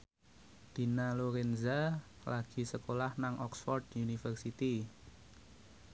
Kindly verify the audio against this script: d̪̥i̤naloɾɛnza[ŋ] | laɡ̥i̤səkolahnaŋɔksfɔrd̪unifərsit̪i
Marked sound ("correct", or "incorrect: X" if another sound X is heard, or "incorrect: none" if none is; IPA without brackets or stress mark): incorrect: none